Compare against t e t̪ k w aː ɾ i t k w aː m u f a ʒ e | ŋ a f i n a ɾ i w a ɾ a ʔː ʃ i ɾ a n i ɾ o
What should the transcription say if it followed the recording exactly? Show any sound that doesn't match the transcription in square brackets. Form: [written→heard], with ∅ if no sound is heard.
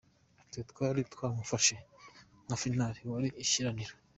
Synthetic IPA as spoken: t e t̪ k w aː ɾ i t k w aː m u f a [ʒ→ʃ] e | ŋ a f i n a ɾ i w a ɾ [a→i] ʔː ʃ i ɾ a n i ɾ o

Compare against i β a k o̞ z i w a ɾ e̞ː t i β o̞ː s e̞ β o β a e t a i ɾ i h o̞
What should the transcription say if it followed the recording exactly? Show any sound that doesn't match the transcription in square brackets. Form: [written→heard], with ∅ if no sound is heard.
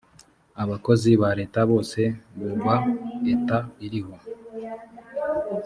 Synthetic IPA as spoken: [i→a] β a k o̞ z i [w→β] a ɾ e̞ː t [i→a] β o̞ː s e̞ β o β a e t a i ɾ i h o̞

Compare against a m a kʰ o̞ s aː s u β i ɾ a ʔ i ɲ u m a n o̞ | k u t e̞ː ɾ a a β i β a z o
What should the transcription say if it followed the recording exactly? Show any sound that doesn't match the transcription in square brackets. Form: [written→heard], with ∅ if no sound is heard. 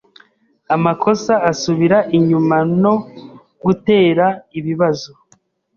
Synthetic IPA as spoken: a m a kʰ o̞ s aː s u β i ɾ a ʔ i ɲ u m a n o̞ | [k→ɡ] u t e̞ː ɾ a [a→i] β i β a z o

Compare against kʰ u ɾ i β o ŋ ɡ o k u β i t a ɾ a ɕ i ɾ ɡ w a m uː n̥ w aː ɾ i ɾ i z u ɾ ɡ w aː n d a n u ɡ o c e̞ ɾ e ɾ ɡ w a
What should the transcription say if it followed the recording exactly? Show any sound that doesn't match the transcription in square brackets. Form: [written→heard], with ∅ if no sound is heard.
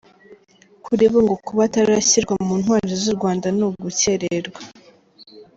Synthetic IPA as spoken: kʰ u ɾ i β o ŋ ɡ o k u β [i→a] t a ɾ a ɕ i ɾ ɡ w a m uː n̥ w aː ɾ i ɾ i z u ɾ ɡ w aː n d a n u ɡ [o→u] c e̞ ɾ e ɾ ɡ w a

